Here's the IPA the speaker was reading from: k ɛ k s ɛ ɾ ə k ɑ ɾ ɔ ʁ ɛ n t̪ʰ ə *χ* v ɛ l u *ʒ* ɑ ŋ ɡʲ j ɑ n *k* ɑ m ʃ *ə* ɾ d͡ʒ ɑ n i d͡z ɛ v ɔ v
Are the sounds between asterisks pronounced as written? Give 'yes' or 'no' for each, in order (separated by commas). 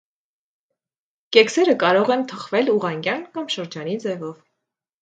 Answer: yes, no, yes, yes